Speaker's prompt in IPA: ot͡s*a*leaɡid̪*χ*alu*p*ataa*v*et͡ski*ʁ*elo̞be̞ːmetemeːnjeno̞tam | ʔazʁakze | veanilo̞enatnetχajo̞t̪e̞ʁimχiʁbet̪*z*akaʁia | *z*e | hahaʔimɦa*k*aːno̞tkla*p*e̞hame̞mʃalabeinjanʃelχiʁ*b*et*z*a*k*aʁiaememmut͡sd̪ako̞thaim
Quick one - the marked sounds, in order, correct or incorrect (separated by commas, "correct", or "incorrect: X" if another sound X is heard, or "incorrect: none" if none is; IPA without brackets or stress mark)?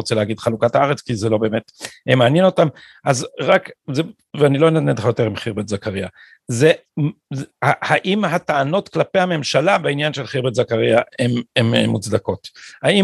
incorrect: e, correct, incorrect: k, incorrect: ʁ, incorrect: z, correct, correct, incorrect: t, correct, correct, correct, correct